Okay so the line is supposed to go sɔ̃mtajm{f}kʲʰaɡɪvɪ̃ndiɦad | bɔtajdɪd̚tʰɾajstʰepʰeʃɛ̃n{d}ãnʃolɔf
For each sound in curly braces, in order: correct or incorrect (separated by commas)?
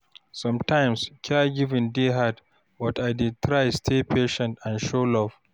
incorrect, incorrect